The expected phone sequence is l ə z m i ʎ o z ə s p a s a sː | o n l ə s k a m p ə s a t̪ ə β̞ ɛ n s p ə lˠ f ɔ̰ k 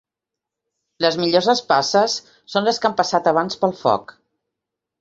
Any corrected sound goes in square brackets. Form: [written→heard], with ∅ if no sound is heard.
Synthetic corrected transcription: l ə z m i ʎ o z ə s p a s [a→ə] sː | o n l ə s k a m p ə s a t̪ ə β̞ [ɛ→a] n s p ə lˠ f ɔ̰ k